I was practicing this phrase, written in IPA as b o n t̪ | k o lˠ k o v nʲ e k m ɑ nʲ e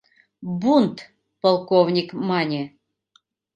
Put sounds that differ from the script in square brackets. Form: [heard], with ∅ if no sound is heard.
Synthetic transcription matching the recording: b [u] n t̪ | [p] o lˠ k o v nʲ [i] k m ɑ nʲ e